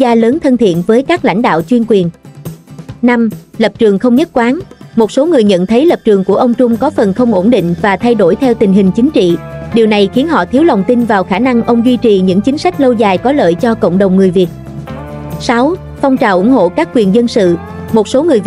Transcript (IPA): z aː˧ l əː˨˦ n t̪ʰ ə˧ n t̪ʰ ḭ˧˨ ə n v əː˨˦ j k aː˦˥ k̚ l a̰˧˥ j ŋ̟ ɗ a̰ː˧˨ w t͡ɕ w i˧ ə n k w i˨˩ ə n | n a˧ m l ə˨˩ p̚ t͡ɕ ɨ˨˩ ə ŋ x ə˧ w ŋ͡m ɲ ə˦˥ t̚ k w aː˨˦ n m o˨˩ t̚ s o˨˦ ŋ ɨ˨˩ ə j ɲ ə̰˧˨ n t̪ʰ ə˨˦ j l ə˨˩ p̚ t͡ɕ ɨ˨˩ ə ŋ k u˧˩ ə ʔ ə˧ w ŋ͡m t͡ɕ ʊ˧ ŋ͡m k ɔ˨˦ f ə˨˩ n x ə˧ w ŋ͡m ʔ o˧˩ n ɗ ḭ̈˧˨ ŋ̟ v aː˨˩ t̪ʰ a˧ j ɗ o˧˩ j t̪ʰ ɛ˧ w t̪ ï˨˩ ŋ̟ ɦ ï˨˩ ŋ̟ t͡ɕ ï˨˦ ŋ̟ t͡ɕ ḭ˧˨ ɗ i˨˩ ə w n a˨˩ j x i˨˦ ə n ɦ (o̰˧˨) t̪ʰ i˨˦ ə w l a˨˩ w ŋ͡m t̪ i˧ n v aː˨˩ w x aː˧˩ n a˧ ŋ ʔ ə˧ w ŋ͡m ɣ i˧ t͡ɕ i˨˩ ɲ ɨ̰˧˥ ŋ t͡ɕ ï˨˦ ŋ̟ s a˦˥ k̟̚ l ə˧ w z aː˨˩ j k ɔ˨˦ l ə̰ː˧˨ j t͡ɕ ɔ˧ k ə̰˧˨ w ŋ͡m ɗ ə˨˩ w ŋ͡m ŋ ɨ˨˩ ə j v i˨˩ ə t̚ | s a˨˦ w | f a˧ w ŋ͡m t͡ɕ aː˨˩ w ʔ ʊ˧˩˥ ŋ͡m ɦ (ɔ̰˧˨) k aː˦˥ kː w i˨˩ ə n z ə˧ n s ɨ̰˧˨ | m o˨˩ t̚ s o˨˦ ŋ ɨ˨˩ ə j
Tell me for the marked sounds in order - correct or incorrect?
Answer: incorrect, incorrect

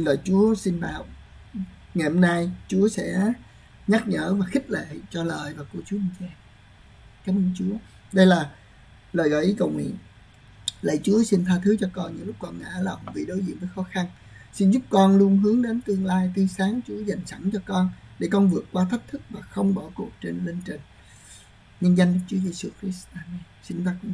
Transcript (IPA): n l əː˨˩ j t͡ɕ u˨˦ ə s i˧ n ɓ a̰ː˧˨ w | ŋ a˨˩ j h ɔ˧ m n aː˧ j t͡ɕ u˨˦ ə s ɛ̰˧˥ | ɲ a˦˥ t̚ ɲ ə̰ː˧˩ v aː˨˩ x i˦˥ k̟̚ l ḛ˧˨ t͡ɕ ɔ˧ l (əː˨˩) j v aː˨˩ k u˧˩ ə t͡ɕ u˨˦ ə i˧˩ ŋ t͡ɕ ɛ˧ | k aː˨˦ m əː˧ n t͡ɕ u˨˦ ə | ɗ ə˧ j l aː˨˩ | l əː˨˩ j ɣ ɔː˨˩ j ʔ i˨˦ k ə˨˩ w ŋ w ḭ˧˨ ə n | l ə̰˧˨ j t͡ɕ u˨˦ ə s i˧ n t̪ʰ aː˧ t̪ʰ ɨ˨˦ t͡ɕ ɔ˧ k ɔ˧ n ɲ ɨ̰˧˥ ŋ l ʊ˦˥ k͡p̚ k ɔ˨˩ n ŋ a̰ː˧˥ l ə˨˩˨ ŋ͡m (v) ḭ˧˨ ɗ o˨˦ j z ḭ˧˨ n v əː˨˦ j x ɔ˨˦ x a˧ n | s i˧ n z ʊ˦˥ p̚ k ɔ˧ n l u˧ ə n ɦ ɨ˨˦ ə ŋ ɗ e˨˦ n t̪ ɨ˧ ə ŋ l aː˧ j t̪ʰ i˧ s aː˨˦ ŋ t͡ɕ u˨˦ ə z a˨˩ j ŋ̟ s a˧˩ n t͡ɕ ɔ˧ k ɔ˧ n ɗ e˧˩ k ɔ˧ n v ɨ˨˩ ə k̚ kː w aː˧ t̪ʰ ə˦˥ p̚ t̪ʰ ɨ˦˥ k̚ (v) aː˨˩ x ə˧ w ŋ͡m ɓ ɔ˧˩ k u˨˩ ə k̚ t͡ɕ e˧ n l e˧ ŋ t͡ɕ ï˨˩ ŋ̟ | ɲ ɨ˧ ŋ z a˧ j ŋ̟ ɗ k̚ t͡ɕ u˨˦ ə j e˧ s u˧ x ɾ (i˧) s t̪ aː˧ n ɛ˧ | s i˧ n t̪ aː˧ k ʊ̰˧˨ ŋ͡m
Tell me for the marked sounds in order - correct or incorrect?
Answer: correct, correct, correct, incorrect

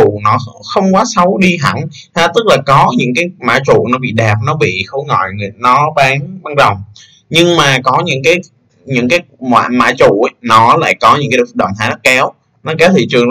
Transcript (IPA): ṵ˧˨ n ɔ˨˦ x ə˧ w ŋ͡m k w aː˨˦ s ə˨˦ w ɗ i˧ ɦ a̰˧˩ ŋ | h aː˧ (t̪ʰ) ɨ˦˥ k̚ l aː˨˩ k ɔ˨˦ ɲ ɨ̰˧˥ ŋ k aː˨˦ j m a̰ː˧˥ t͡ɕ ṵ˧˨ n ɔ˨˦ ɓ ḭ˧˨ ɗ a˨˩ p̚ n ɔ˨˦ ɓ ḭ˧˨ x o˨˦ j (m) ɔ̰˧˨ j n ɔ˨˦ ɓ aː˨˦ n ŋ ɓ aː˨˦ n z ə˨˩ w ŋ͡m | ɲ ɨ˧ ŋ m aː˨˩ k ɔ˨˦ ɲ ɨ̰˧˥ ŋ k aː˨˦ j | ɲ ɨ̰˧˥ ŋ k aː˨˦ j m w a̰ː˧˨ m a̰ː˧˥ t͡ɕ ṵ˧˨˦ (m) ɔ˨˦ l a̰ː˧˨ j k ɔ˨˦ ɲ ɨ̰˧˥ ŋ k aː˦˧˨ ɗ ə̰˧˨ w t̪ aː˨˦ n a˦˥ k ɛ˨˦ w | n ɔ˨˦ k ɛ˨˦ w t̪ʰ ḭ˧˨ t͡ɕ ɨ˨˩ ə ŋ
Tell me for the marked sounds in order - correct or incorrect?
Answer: incorrect, incorrect, incorrect

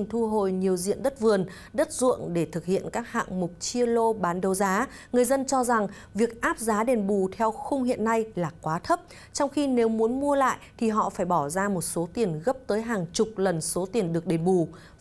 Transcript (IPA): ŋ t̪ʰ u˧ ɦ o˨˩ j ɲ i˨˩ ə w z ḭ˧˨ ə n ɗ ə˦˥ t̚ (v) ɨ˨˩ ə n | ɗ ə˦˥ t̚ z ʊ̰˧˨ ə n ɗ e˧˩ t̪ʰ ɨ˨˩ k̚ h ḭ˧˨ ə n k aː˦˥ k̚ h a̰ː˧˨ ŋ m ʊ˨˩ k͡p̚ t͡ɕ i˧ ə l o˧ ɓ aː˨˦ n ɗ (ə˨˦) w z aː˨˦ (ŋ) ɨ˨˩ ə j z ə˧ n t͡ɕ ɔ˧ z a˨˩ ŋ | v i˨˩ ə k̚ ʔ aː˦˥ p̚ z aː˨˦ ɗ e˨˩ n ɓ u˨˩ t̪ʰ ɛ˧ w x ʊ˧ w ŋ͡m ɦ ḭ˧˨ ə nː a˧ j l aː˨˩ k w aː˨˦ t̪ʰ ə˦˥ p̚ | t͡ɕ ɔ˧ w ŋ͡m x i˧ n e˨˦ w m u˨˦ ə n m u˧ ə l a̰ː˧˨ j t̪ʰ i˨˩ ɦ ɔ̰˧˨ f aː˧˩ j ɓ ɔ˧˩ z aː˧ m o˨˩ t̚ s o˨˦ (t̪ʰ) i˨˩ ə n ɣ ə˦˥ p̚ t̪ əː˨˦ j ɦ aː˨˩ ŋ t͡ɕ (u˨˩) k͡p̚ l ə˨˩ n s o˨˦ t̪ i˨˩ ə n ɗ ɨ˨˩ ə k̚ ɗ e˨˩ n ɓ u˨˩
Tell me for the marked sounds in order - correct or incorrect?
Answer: correct, incorrect, correct, incorrect, incorrect

